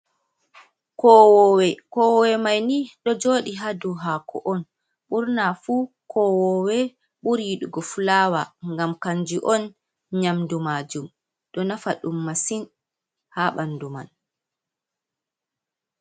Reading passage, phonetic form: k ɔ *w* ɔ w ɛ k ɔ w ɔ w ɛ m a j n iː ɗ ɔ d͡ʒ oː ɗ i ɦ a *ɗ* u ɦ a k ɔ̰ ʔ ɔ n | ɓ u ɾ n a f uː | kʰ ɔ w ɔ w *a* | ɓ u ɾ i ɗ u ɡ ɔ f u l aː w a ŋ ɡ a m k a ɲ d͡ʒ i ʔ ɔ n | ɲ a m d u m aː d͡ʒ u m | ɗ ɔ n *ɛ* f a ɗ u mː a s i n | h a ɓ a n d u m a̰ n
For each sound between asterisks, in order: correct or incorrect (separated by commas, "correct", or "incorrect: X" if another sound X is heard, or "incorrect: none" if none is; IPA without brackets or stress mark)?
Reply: correct, incorrect: d, incorrect: ɛ, incorrect: a